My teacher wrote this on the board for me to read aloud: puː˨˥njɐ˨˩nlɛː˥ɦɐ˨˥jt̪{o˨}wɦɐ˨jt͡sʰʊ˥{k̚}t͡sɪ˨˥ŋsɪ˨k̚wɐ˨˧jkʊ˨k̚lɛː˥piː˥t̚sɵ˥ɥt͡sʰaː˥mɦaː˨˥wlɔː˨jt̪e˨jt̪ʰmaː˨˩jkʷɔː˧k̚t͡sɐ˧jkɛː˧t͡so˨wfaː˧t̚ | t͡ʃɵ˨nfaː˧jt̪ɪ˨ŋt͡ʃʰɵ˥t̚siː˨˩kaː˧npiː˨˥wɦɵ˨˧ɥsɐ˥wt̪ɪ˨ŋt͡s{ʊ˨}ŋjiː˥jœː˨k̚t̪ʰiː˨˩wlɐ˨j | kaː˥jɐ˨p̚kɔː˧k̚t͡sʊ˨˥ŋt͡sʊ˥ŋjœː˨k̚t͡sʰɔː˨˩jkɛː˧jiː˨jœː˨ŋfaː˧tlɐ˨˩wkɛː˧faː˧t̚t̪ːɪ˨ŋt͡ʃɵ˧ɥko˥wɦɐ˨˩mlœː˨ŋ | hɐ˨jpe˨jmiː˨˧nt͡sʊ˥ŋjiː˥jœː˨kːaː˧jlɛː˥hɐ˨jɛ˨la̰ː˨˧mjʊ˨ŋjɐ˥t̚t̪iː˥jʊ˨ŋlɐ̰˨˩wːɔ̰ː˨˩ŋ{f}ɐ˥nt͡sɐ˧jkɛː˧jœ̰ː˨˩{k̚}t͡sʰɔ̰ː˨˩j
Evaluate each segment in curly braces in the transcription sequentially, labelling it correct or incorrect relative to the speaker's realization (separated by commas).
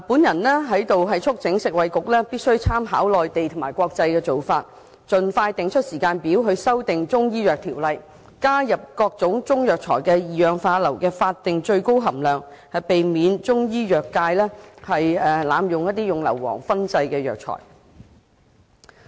correct, correct, incorrect, correct, correct